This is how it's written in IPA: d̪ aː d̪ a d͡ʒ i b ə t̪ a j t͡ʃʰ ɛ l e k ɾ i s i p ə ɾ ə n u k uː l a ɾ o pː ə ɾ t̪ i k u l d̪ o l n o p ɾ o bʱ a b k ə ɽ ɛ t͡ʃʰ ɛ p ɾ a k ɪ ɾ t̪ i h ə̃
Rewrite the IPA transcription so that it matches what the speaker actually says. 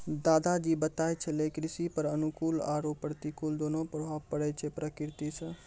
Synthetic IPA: d̪ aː d̪ a d͡ʒ i b ə t̪ a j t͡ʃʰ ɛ l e k ɾ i s i p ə ɾ ə n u k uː l a ɾ o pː ə ɾ t̪ i k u l d̪ o n o p ɾ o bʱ a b p ə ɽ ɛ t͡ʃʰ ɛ p ɾ ə k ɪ ɾ t̪ i s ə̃